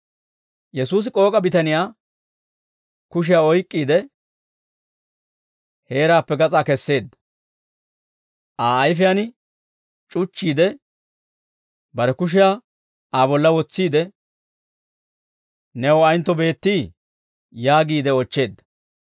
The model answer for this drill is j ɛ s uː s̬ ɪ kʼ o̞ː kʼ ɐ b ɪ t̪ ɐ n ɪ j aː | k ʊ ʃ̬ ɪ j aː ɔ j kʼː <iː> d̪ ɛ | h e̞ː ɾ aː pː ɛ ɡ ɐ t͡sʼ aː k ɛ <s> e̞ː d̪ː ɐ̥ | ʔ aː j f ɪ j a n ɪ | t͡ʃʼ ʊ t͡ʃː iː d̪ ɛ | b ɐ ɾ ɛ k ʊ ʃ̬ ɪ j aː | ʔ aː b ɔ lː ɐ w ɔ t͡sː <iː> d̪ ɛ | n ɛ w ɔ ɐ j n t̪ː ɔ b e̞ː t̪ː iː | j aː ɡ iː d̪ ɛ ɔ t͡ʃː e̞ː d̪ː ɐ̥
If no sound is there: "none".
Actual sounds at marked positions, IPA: iː, sː, iː

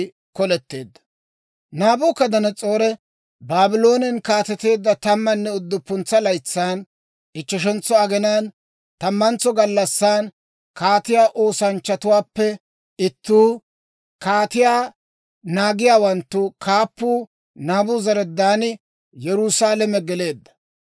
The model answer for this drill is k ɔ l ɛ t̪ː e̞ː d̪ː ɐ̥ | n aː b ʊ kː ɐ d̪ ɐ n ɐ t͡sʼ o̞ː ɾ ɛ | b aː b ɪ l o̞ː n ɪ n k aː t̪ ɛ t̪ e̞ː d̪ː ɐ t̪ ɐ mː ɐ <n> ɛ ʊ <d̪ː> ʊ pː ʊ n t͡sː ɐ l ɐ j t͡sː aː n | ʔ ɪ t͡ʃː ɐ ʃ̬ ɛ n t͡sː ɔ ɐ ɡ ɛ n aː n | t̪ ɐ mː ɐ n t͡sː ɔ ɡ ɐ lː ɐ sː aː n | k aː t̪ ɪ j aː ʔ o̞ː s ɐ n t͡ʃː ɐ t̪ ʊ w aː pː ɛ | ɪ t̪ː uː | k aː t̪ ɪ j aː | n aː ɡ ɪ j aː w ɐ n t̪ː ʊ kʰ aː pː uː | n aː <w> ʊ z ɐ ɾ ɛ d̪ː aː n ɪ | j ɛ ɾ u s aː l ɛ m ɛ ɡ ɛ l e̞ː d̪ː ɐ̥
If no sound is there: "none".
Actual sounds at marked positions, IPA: nː, d̪ː, b

